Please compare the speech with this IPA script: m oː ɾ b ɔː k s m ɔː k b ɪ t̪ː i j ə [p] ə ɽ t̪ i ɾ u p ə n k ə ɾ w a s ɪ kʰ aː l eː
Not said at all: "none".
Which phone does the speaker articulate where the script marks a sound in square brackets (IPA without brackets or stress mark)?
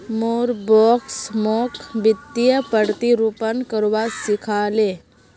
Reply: p